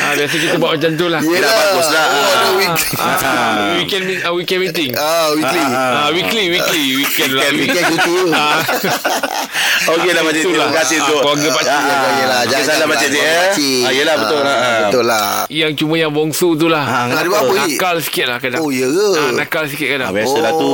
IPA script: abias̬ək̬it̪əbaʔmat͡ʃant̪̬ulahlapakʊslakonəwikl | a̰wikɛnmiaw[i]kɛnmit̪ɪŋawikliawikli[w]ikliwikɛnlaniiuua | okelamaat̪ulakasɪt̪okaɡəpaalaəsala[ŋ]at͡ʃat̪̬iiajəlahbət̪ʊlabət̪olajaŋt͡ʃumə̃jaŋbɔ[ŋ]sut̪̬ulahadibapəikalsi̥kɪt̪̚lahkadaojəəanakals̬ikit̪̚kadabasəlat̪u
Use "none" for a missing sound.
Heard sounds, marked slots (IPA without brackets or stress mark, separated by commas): i, w, m, ŋ